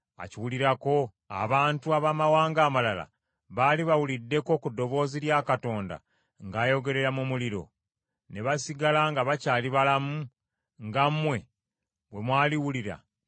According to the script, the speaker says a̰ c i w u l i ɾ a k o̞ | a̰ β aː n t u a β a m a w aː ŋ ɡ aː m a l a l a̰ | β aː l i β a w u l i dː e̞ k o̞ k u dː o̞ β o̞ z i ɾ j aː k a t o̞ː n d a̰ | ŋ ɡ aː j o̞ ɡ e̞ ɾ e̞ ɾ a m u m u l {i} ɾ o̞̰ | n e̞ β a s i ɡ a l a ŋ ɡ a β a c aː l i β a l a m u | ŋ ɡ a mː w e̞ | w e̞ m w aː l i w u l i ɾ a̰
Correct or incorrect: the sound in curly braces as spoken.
correct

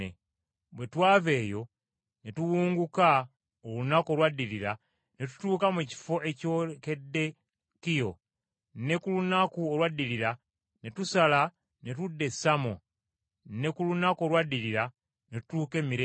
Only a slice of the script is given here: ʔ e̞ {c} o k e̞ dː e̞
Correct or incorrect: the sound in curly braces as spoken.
correct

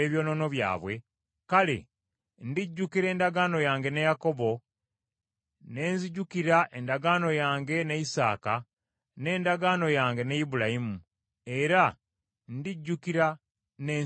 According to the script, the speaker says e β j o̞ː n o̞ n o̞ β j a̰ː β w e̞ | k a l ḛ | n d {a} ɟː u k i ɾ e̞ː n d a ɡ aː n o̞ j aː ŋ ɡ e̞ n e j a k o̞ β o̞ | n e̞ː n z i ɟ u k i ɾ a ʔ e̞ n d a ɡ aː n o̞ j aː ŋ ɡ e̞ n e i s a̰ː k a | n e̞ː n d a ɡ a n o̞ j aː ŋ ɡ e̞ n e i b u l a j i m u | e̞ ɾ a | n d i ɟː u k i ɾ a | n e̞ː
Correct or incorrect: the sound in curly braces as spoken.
incorrect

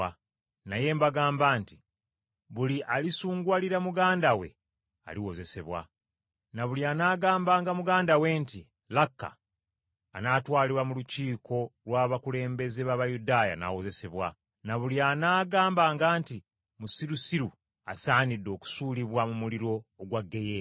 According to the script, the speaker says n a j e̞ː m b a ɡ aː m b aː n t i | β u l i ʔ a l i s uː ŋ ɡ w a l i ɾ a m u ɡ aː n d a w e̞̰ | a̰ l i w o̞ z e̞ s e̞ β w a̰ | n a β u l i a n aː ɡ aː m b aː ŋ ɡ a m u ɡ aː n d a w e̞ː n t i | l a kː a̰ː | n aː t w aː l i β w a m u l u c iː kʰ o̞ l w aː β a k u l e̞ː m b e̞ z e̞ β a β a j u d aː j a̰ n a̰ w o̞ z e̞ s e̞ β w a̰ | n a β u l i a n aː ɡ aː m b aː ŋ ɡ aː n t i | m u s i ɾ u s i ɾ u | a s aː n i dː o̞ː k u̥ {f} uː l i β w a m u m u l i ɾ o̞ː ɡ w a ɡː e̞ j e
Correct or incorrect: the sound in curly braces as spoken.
incorrect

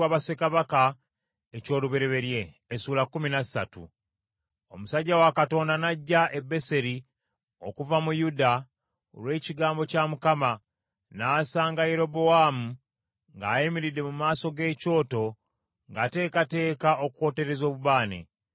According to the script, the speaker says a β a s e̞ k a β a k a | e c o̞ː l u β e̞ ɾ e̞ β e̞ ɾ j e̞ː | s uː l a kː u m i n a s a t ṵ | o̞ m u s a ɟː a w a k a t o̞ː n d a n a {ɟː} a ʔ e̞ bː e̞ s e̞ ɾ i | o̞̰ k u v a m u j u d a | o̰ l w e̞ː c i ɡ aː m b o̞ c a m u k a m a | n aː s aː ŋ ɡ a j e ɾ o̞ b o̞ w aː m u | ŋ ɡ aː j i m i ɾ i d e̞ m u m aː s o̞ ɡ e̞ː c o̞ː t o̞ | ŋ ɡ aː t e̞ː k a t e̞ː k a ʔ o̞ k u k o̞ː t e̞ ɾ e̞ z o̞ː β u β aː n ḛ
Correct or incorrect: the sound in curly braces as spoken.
correct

